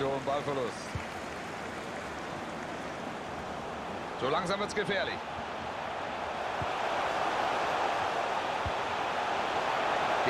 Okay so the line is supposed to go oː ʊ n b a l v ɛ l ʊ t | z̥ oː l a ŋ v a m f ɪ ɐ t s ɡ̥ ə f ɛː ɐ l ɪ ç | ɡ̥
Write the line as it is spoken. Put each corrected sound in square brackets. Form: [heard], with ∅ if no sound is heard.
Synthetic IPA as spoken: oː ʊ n b a l [f] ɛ l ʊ [s] | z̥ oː l a ŋ [z] a m [v] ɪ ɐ t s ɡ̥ ə f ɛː ɐ l ɪ ç | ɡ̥